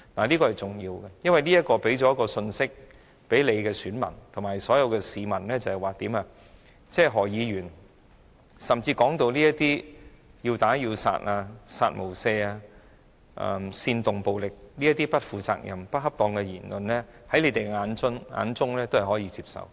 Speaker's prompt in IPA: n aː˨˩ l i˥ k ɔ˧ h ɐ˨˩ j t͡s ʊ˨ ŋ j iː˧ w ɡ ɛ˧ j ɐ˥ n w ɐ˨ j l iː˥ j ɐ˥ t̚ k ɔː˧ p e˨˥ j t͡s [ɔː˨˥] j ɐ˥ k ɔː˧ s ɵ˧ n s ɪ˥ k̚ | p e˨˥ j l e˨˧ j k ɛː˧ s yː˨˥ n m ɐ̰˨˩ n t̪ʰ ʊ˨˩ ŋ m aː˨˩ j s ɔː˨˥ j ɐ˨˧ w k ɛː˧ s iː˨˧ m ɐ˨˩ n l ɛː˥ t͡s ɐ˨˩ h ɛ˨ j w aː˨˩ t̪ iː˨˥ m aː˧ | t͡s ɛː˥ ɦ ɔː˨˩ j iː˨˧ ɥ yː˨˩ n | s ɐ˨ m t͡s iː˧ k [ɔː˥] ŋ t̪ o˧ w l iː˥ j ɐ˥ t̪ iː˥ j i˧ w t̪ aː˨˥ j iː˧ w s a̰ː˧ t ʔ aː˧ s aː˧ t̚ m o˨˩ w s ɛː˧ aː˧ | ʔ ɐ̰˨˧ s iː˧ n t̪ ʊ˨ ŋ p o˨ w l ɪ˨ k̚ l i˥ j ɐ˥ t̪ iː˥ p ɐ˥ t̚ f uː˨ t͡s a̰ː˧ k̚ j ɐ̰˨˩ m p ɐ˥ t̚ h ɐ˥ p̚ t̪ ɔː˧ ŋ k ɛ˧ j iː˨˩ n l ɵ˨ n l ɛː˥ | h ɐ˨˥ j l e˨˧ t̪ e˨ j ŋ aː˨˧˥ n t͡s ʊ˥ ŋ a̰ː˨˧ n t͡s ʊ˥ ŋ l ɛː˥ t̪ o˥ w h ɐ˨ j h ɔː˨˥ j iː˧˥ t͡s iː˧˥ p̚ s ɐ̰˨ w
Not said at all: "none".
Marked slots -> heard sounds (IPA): ɔ˨˥, ɔː˨˥

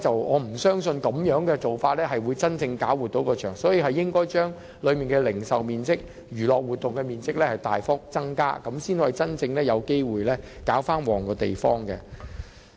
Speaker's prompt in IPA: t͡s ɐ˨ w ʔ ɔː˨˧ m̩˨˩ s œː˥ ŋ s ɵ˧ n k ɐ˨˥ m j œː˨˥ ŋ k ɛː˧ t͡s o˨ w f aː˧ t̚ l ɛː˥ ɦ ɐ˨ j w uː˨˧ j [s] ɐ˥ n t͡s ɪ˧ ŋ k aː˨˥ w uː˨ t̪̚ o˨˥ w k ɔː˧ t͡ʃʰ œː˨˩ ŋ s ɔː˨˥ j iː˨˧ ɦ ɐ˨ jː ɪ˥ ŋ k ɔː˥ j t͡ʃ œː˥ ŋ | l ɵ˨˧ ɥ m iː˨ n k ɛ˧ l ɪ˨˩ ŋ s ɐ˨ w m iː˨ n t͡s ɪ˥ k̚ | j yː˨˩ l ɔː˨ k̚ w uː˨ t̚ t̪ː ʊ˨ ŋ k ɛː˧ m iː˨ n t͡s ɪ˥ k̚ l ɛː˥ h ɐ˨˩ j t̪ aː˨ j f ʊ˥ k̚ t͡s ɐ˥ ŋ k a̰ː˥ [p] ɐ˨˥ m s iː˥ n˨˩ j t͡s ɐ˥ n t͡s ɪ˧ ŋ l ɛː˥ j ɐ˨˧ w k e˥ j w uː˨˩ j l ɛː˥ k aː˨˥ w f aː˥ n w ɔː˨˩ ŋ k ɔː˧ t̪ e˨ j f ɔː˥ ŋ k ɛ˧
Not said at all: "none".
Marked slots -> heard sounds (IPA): t͡s, k

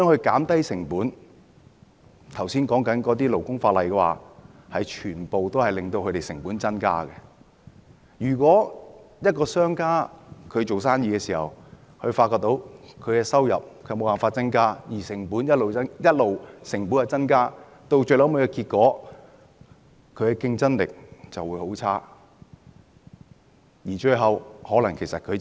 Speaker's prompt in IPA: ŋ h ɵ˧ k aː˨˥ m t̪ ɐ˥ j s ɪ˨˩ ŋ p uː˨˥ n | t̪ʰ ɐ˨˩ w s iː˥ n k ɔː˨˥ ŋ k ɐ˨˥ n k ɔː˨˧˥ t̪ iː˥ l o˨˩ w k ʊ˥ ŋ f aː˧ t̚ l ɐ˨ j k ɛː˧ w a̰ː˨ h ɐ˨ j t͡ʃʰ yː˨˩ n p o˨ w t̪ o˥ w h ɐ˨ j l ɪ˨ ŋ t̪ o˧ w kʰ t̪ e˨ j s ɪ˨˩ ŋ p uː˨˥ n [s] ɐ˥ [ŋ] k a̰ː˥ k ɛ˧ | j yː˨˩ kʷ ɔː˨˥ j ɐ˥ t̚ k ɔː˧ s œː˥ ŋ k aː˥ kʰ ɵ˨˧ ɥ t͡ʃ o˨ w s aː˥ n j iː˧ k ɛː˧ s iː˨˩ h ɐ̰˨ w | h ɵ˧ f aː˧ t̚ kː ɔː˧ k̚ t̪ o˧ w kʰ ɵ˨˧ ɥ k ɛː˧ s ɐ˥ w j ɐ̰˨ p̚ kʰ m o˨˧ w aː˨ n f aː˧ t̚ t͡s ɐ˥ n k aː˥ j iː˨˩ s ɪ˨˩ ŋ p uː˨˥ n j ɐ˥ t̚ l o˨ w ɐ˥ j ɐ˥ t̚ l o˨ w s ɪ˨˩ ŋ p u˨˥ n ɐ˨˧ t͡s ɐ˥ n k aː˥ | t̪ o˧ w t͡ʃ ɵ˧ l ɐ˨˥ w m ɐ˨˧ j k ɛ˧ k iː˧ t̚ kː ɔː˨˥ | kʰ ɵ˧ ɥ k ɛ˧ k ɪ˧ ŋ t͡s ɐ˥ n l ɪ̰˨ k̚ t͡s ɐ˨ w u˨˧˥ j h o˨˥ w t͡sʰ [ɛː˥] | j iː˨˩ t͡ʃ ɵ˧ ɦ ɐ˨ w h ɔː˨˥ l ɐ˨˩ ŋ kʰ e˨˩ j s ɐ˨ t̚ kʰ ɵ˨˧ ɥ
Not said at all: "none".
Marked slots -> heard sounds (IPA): t͡s, n, aː˥

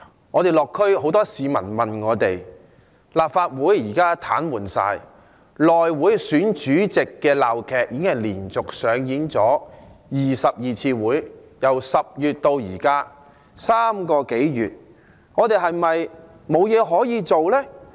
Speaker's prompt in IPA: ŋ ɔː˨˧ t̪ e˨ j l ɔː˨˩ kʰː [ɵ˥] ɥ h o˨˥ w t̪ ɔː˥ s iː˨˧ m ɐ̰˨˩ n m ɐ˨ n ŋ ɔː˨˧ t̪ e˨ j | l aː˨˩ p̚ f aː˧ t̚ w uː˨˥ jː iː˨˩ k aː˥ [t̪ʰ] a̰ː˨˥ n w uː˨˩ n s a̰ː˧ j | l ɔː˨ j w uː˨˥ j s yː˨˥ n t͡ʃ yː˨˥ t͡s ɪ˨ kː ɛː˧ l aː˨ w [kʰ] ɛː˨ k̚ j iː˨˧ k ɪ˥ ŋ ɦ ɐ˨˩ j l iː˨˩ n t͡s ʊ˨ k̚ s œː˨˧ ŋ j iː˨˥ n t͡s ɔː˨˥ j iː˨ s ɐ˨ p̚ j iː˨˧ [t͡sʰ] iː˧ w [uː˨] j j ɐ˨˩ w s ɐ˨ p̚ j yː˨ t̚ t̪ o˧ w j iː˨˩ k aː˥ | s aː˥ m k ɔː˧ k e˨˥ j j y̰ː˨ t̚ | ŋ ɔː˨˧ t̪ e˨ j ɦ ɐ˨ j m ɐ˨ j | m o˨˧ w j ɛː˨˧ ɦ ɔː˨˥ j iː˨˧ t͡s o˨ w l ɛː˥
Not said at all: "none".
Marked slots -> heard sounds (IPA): ɵ˥, t̪ʰ, kʰ, t͡sʰ, uː˨˥

